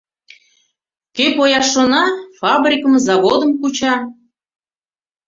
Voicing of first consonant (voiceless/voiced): voiceless